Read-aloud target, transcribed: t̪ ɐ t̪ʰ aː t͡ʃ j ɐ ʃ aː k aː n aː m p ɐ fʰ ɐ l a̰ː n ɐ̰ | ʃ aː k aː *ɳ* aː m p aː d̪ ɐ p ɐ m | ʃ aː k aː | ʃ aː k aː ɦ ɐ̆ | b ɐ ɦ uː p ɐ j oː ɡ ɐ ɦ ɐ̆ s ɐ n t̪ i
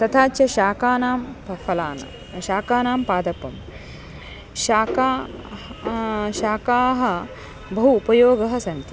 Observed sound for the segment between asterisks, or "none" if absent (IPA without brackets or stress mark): n